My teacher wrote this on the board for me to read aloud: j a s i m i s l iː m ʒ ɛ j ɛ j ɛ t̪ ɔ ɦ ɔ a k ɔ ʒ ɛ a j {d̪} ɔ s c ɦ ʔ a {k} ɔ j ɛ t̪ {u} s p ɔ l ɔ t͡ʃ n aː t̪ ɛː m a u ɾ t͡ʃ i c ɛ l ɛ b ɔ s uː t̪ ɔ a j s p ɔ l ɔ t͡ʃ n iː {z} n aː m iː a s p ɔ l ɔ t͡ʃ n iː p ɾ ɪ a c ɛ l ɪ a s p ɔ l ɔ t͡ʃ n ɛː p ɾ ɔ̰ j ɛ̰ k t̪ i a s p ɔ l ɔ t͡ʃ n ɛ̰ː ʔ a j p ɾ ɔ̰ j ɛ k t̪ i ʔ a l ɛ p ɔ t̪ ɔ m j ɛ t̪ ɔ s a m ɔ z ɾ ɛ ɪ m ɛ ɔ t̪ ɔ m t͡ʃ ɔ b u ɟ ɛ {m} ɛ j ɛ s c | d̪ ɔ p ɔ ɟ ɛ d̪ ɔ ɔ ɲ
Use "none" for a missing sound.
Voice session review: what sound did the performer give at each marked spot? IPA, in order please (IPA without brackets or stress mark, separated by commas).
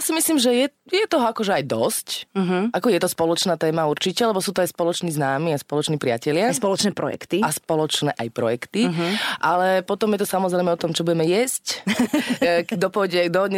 d̪, k, ɔ, z, m